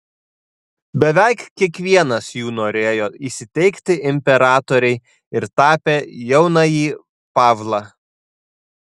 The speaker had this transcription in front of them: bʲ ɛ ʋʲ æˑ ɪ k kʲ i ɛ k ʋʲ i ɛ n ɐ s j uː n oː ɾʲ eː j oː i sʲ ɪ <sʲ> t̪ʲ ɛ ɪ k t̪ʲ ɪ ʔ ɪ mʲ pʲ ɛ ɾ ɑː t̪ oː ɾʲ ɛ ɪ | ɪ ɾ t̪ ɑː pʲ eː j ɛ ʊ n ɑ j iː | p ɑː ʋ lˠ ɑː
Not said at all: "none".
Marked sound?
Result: none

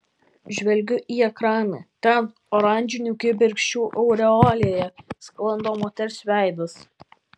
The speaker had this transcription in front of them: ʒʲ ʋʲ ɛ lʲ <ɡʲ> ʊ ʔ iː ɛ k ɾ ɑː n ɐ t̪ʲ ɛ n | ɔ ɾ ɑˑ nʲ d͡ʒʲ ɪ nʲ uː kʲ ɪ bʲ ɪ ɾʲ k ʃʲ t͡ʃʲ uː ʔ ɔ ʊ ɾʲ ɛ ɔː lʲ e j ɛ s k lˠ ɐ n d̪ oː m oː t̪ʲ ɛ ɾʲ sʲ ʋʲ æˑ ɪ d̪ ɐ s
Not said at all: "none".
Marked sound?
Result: ɡʲ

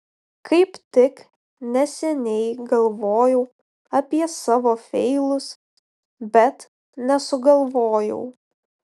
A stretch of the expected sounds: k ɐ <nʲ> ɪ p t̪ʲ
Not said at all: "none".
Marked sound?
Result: none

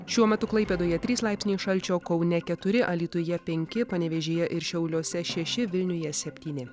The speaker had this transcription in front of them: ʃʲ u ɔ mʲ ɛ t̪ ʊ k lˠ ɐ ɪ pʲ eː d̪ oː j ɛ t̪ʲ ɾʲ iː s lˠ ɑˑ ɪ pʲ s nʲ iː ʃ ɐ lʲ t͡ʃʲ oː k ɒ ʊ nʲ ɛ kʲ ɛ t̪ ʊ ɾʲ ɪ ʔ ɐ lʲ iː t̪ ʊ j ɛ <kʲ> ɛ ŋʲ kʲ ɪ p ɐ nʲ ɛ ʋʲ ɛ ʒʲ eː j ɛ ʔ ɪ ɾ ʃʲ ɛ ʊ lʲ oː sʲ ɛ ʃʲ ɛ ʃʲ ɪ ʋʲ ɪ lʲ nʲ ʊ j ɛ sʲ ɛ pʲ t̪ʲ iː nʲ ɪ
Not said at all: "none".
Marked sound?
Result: pʲ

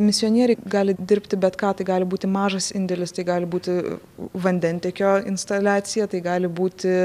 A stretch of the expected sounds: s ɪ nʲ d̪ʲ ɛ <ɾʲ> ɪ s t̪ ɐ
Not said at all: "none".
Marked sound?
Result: lʲ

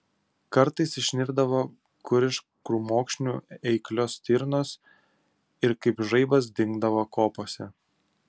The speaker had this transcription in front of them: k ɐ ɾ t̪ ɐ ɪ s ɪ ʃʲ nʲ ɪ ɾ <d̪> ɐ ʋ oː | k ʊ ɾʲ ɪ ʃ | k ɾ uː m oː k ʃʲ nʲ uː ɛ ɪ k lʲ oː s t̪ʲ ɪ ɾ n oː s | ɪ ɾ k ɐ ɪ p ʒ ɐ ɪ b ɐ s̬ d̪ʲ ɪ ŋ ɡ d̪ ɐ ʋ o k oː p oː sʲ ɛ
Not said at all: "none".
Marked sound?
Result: d̪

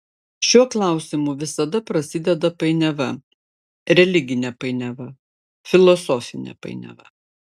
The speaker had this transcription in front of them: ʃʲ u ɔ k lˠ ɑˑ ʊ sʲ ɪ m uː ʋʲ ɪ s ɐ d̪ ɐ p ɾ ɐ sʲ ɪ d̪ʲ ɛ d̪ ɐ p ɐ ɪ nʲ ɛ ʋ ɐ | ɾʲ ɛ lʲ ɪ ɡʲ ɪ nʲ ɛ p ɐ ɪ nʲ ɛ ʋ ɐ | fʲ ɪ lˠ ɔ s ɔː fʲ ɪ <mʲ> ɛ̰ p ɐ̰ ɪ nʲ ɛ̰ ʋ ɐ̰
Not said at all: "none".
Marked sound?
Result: nʲ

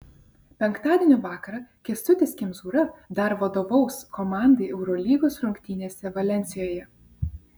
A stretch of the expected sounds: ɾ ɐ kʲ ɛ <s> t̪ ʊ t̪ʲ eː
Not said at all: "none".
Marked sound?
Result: s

